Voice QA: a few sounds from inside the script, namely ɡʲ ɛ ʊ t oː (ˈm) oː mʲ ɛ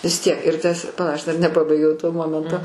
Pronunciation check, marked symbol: correct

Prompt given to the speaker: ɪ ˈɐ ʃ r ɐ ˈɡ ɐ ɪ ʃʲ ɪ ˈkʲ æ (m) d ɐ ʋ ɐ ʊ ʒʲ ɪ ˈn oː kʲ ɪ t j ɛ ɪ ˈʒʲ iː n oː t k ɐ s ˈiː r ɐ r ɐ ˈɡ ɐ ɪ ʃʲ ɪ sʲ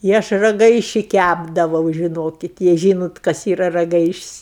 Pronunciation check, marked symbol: incorrect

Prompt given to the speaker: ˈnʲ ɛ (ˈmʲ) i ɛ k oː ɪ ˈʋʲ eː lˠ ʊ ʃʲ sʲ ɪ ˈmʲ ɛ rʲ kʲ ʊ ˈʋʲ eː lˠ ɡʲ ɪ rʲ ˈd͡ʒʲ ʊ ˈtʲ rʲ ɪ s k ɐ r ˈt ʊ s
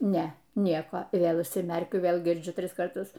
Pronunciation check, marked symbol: incorrect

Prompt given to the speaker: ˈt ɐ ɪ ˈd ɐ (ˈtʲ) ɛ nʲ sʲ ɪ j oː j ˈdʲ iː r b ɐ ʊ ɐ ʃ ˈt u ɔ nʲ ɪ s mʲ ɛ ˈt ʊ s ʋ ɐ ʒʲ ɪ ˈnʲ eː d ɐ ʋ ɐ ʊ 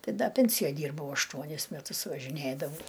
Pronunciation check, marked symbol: incorrect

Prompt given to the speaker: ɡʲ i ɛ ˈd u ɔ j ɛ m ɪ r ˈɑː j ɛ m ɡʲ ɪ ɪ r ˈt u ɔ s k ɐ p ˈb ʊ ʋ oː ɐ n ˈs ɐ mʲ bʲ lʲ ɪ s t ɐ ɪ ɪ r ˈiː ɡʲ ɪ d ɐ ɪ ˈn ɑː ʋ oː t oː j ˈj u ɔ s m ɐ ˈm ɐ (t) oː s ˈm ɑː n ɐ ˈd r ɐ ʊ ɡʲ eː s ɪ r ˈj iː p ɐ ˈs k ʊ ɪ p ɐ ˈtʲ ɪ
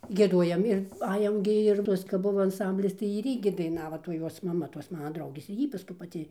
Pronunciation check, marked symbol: correct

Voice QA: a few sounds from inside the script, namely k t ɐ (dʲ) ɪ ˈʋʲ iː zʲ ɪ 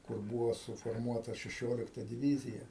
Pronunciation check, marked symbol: correct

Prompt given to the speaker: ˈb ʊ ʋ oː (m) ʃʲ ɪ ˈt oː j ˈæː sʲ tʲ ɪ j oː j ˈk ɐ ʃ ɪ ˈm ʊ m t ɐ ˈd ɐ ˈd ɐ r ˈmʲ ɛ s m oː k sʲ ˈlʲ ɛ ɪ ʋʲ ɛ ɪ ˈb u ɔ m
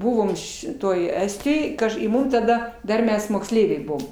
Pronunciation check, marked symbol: correct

